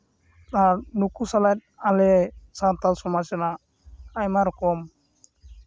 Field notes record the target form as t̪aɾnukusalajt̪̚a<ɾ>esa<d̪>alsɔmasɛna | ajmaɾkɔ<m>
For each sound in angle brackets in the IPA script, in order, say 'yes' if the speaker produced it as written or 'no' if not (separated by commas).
no, no, yes